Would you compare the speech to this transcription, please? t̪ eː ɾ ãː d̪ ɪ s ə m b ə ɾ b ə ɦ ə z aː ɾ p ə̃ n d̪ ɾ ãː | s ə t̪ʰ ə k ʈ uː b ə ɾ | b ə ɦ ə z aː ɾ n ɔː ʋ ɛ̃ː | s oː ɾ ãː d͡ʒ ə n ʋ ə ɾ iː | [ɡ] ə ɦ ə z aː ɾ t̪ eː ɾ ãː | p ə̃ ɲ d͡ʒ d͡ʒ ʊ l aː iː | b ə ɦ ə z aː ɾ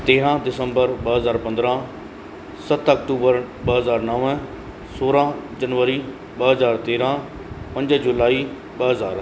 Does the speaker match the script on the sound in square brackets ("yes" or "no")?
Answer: no